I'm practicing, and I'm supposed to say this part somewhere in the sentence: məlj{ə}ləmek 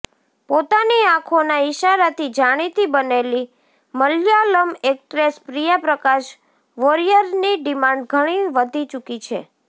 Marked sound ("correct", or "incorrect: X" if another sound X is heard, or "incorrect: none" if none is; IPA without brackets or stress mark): incorrect: a